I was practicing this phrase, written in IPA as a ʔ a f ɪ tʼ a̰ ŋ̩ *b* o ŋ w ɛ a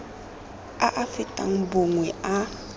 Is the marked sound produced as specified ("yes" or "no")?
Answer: yes